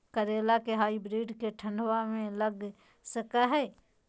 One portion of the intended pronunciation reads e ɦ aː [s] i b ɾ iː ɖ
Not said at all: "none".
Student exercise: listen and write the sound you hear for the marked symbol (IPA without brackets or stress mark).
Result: none